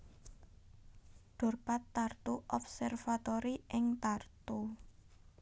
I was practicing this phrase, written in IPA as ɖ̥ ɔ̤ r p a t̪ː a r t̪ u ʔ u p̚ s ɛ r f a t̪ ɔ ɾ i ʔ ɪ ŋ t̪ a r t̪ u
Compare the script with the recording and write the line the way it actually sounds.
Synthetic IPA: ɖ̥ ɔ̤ r p a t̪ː a r t̪ u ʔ ɔ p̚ s ɛ r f a t̪ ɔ ɾ i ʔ ɪ ŋ t̪ a r t̪ u